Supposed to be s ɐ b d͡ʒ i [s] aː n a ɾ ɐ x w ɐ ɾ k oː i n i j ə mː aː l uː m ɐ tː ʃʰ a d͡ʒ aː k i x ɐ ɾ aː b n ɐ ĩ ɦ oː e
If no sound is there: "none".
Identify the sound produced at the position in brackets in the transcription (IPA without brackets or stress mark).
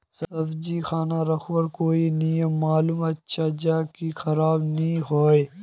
x